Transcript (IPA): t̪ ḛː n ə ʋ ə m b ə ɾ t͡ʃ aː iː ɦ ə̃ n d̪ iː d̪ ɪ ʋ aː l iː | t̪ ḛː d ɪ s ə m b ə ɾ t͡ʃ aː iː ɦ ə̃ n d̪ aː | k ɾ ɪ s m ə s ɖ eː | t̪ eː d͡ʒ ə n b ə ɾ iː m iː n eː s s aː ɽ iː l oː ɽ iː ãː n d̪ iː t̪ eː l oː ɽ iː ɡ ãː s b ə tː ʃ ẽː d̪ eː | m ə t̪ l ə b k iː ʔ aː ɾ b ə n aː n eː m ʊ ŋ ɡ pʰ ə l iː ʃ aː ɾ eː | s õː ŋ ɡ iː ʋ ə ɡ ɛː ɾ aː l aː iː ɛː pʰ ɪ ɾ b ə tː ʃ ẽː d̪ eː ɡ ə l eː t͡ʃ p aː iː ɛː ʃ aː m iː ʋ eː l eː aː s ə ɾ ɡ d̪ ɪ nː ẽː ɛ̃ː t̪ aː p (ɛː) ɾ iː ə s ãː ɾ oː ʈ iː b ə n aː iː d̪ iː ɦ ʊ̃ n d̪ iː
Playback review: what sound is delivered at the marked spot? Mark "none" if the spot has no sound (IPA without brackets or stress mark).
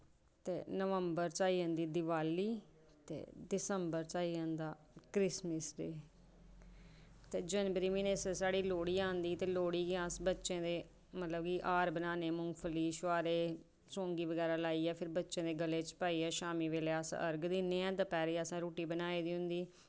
ɛː